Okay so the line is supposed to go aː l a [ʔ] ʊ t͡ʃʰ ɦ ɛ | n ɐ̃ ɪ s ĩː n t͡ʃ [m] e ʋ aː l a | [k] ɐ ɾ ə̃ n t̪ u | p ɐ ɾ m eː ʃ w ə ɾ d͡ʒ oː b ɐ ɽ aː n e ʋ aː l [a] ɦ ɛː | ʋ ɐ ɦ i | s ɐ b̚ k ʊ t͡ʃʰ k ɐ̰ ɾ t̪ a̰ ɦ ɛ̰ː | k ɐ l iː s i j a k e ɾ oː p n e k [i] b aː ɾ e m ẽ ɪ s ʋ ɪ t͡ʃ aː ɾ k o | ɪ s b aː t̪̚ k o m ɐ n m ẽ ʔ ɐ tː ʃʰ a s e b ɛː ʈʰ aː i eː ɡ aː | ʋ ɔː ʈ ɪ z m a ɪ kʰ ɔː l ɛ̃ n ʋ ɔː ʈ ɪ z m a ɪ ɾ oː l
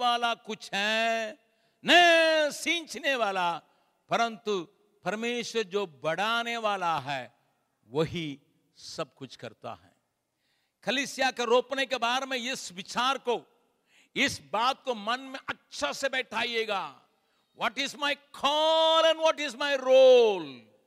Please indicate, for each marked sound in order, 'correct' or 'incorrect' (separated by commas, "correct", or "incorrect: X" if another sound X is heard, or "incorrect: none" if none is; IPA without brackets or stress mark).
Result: incorrect: k, incorrect: n, incorrect: p, correct, incorrect: e